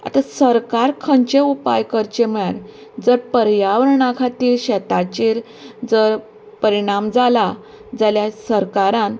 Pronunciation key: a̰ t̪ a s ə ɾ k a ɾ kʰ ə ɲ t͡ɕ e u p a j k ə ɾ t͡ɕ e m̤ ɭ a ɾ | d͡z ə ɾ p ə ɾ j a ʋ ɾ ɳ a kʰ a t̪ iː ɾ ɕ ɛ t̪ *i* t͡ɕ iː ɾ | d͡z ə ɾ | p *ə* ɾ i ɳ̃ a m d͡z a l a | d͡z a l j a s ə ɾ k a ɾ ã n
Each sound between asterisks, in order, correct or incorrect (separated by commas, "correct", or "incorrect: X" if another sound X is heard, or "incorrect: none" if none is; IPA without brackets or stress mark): incorrect: a, correct